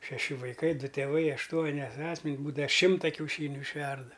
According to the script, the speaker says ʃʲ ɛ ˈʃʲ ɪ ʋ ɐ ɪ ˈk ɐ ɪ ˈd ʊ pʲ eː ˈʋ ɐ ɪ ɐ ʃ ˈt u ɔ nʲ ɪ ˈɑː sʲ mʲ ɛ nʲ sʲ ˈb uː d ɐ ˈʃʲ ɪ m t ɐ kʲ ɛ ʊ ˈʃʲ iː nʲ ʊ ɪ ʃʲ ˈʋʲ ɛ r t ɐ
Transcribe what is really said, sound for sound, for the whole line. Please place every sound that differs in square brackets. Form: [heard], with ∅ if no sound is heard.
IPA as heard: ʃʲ ɛ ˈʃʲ ɪ ʋ ɐ ɪ ˈk ɐ ɪ ˈd ʊ [tʲ] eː ˈʋ ɐ ɪ ɐ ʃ ˈt u ɔ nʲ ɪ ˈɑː sʲ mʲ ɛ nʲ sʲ ˈb uː d ɐ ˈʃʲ ɪ m t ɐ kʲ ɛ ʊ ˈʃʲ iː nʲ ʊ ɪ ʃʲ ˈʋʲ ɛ r [d] ɐ